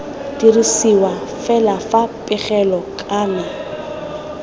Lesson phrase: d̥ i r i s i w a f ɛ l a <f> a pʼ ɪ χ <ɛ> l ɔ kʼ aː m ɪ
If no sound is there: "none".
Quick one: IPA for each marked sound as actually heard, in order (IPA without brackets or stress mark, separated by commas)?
f, ɛ